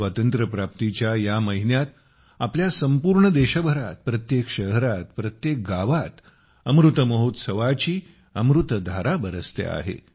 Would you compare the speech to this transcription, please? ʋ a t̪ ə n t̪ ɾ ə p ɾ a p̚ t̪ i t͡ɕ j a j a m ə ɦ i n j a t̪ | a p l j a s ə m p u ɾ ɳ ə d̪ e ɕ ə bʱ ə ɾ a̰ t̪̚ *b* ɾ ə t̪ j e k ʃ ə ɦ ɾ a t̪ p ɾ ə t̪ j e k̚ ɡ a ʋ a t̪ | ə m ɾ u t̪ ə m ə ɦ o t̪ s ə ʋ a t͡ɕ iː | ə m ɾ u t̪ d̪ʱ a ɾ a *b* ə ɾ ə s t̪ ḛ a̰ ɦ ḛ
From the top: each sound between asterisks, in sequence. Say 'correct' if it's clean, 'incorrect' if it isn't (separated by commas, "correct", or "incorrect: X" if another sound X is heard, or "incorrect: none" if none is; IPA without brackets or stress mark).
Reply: incorrect: p, correct